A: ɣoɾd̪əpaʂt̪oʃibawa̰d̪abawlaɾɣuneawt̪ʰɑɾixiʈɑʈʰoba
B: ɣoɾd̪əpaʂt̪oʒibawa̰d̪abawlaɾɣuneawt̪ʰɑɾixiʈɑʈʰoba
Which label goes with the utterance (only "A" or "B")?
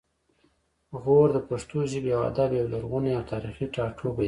B